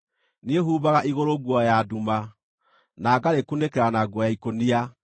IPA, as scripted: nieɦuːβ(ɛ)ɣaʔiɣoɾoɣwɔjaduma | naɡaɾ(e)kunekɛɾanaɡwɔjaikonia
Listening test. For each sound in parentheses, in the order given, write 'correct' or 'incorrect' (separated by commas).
incorrect, correct